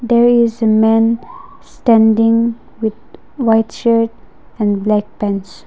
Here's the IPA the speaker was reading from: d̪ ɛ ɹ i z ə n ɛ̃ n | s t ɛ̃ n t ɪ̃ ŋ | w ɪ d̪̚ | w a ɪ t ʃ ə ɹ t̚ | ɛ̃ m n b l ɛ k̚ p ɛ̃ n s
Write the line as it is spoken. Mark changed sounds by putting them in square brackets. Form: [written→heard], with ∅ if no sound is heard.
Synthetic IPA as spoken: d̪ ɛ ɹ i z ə [n→m] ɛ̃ n | s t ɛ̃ n [t→d] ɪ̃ ŋ | w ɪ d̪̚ | w a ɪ t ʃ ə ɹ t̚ | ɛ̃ [m→∅] n b l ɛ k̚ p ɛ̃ n s

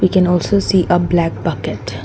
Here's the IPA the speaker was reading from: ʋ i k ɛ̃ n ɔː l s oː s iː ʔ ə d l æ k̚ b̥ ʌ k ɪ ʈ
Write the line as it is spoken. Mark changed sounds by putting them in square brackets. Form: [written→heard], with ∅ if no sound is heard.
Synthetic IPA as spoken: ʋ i k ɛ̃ n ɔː l s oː s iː ʔ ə [d→b] l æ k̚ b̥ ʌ k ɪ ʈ

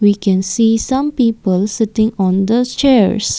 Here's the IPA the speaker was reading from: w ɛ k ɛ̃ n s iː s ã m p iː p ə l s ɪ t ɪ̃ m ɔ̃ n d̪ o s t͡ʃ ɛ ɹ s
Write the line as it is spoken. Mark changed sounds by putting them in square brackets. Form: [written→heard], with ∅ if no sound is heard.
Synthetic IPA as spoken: w [ɛ→i] k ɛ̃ n s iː s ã m p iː p ə l s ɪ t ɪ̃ [m→ŋ] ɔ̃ n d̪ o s t͡ʃ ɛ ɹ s

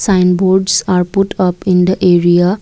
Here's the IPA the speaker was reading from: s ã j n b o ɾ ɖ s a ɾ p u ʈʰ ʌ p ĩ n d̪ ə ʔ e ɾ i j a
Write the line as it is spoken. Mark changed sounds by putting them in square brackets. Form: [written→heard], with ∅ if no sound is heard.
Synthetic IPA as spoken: s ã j n b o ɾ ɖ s a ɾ p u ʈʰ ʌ p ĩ n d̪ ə ʔ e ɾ i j a

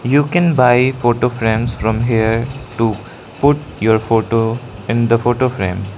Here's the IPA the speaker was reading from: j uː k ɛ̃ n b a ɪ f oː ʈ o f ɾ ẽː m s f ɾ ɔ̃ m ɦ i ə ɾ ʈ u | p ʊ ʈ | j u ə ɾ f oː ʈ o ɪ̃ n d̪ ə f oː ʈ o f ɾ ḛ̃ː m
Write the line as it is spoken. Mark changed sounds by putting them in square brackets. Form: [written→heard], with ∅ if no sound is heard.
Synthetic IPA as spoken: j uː k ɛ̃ n b a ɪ f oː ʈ o f ɾ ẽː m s f ɾ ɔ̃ m ɦ i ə ɾ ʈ u | p ʊ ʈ | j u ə ɾ f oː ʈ o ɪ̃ n d̪ ə f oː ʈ o f ɾ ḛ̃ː m

